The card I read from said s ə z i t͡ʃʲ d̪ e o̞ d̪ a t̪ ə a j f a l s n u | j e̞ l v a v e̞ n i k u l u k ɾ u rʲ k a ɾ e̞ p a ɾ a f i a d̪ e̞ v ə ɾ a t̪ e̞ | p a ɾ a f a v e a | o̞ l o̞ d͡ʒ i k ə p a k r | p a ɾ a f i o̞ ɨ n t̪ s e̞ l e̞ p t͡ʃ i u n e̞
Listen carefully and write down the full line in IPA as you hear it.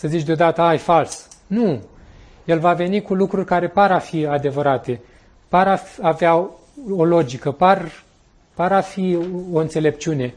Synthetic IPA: s ə z i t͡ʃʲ d̪ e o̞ d̪ a t̪ ə a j f a l s n u | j e̞ l v a v e̞ n i k u l u k ɾ u rʲ k a ɾ e̞ p a ɾ a f i a d̪ e̞ v ə ɾ a t̪ e̞ | p a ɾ a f a v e a | o̞ l o̞ d͡ʒ i k ə p a r | p a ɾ a f i o̞ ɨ n t̪ s e̞ l e̞ p t͡ʃ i u n e̞